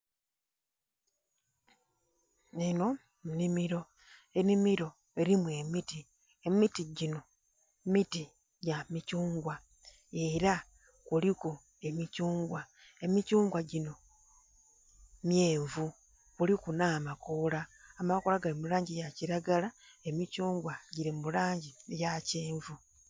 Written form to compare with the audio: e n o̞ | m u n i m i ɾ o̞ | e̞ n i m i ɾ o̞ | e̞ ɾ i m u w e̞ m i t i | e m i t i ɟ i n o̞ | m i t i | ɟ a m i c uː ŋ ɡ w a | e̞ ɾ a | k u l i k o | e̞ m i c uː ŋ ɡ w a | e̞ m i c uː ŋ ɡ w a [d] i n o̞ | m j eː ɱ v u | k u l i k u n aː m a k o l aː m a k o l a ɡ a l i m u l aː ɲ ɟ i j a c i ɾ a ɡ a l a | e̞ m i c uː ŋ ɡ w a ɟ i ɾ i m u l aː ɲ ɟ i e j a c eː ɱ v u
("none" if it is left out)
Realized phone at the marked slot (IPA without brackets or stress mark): ɟ